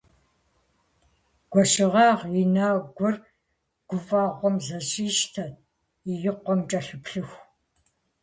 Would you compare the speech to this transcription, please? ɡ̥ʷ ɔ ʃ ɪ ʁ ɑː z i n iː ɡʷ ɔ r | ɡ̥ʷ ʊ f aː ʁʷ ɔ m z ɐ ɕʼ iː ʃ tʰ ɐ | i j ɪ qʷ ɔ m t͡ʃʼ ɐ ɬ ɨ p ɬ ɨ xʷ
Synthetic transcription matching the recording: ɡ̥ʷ ɔ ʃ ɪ ʁ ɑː ʁ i n aː ɡʷ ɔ r | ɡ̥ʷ ʊ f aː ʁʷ ɔ m z ɐ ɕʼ iː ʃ tʰ ɐ | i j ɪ qʷ ɔ m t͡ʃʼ ɐ ɬ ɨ p ɬ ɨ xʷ